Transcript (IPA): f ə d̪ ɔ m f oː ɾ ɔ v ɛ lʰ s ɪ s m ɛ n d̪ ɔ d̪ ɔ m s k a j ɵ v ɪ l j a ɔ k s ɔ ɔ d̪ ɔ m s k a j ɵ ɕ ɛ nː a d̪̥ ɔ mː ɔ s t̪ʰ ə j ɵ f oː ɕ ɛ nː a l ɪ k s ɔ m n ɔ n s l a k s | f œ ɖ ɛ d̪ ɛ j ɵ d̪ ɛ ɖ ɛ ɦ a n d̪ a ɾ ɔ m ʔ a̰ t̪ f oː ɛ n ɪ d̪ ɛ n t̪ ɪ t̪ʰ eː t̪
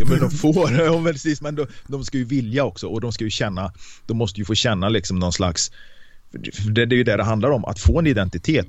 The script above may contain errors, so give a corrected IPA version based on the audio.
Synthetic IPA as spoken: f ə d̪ ɔ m f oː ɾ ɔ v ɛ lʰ s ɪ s m ɛ n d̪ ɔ d̪ ɔ m s k a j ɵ v ɪ l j a ɔ k s ɔ ɔ d̪ ɔ m s k a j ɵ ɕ ɛ nː a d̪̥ ɔ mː ɔ s t̪ ə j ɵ f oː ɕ ɛ nː a l ɪ k s ɔ m n ɔ n s l a k s | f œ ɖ ɛ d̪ ɛ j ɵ d̪ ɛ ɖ ɛ ɦ a n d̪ a ɾ ɔ m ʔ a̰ t̪ f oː ɛ n ɪ d̪ ɛ n t̪ ɪ t̪ʰ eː t̪